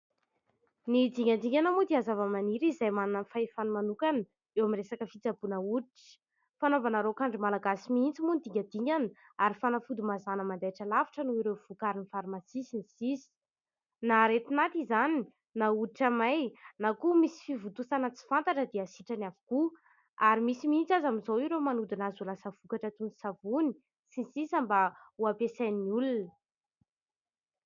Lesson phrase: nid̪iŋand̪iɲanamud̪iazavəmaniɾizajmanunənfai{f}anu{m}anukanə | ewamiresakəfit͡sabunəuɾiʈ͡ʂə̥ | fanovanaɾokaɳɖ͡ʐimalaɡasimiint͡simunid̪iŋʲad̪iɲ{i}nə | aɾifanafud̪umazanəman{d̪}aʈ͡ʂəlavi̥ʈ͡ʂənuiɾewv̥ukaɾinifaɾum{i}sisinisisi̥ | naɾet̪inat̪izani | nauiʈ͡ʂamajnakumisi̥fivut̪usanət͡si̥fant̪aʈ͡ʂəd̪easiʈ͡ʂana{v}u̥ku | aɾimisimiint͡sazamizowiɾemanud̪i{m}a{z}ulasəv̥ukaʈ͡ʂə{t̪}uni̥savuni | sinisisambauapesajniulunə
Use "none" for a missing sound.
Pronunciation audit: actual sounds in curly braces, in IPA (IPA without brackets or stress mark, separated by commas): f, m, a, d̪, a, v, n, z, t̪